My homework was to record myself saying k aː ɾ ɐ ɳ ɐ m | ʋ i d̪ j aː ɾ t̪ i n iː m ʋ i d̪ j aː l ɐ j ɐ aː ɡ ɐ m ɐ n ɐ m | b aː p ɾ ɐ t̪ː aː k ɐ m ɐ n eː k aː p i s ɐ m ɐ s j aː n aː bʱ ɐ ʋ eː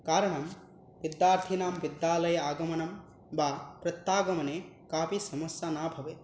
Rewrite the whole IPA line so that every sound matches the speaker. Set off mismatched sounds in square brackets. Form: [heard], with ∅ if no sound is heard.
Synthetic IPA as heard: k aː ɾ ɐ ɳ ɐ m | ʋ i d̪ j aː ɾ [t̪ʰ] i n [aː] m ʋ i d̪ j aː l ɐ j ɐ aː ɡ ɐ m ɐ n ɐ m | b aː p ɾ ɐ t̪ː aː [ɡ] ɐ m ɐ n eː k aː p i s ɐ m ɐ s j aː n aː bʱ ɐ ʋ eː